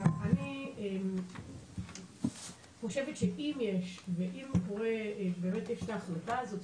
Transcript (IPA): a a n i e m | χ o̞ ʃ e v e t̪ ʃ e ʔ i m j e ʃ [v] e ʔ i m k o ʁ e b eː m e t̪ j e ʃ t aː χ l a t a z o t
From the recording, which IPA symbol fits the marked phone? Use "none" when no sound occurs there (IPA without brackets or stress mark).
v